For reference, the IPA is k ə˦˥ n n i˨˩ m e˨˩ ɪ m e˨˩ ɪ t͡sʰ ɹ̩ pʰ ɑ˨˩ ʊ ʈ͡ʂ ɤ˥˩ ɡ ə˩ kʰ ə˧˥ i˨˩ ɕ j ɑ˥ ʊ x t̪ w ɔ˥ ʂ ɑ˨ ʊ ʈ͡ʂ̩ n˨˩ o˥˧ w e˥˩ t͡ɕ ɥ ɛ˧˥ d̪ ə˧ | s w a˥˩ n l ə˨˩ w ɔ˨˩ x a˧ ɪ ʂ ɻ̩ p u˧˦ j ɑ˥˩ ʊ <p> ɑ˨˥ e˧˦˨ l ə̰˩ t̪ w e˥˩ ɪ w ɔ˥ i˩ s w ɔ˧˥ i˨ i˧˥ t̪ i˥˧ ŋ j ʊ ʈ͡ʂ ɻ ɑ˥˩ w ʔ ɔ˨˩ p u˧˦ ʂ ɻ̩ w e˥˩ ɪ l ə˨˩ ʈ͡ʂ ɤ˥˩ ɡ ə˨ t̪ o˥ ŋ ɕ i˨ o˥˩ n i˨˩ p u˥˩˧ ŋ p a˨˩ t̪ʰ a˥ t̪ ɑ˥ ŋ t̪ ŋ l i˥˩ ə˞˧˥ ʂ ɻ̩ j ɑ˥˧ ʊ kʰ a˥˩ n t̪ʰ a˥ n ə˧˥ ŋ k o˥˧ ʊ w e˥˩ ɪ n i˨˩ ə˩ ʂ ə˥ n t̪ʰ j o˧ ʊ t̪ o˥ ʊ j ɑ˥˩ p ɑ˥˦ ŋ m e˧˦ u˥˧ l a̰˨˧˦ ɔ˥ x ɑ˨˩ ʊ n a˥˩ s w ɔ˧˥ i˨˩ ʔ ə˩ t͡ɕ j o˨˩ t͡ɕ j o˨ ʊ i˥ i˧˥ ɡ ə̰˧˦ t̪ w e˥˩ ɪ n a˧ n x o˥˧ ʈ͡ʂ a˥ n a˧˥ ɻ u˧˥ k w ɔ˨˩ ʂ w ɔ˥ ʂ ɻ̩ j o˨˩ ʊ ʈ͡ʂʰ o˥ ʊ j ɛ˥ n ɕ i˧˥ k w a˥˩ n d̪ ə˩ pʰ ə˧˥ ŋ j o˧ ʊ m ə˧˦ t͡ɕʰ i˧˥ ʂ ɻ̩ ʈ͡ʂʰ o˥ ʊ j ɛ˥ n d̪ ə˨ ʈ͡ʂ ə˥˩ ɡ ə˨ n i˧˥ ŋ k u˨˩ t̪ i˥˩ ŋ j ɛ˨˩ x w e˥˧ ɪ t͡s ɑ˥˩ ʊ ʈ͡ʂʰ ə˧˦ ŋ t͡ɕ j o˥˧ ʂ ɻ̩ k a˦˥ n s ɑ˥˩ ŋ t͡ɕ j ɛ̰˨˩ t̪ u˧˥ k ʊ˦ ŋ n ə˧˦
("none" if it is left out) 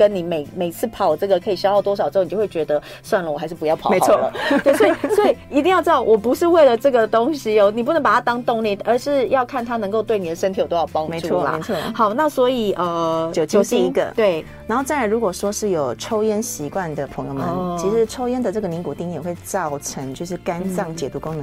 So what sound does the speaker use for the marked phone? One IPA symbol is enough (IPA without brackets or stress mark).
pʰ